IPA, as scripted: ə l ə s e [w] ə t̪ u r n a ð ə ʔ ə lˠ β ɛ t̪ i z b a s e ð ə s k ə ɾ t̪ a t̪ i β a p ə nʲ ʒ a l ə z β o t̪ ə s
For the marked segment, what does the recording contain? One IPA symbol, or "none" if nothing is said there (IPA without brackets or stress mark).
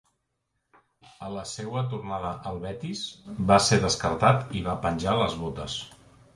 w